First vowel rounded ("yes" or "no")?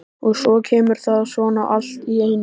yes